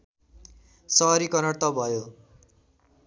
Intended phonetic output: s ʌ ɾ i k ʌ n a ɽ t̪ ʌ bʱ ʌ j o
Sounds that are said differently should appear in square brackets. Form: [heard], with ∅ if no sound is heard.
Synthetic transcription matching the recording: s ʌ ɾ i k ʌ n [ʌ] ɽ t̪ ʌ bʱ ʌ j o